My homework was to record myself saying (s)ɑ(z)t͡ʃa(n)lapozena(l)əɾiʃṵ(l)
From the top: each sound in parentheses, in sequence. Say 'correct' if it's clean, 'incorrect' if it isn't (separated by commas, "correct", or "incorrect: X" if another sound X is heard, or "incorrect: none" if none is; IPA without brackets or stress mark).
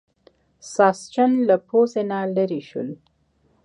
correct, incorrect: s, correct, correct, correct